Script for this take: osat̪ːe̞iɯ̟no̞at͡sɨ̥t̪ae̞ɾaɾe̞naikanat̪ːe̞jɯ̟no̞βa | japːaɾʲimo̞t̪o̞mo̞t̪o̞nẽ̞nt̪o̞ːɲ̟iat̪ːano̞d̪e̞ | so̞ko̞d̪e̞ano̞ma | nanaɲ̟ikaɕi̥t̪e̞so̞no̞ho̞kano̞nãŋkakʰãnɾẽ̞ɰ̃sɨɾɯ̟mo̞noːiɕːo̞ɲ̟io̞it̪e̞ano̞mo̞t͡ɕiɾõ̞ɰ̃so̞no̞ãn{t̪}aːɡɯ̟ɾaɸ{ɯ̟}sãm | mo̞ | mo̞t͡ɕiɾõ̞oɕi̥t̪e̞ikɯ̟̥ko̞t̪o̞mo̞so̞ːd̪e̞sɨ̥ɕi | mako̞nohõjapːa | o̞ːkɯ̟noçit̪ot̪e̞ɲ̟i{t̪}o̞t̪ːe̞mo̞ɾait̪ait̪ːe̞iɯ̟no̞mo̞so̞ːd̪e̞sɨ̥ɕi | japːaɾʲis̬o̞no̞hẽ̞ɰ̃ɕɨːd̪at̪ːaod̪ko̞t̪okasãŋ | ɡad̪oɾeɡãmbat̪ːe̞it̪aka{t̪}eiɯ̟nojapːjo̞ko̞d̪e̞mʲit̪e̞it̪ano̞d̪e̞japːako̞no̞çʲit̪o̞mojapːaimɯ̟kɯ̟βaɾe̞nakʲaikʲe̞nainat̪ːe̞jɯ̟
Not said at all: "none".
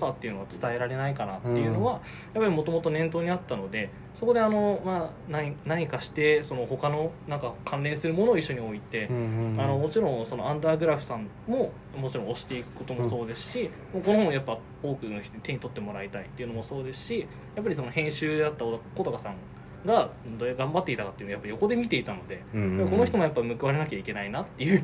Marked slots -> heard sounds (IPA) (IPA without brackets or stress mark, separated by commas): d̪, ɯ̟, t̪, t̪